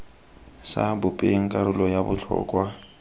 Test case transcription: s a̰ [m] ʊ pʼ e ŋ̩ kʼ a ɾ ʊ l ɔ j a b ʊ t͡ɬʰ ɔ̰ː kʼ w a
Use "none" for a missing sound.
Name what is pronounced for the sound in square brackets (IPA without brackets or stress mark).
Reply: b